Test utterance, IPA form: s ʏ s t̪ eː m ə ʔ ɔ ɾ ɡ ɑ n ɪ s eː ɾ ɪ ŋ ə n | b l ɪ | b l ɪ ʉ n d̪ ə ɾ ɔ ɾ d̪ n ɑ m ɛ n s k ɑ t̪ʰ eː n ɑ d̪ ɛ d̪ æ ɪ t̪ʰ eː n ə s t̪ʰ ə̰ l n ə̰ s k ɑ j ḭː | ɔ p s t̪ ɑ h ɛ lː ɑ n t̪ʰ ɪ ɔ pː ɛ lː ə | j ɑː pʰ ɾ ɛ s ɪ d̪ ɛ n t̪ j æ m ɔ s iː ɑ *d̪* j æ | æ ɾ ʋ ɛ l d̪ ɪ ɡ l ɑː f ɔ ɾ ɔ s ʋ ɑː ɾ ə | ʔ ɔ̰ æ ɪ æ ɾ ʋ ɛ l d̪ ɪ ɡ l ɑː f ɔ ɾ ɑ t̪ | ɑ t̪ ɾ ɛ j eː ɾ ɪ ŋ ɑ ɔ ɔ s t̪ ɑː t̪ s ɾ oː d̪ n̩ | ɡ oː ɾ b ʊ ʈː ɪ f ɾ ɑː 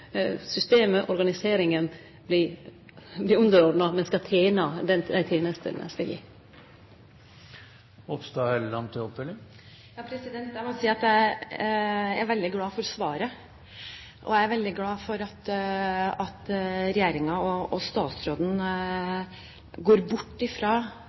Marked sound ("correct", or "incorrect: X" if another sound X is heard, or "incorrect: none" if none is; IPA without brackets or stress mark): incorrect: t̪